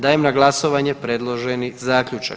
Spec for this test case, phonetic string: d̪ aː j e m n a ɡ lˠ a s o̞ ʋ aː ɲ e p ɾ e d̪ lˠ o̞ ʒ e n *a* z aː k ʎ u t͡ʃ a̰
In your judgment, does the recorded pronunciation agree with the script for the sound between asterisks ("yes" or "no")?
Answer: no